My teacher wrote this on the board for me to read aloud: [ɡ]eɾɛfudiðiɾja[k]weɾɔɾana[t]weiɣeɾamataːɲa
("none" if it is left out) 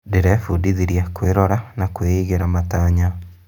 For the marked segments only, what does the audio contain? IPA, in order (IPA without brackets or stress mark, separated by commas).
d, k, k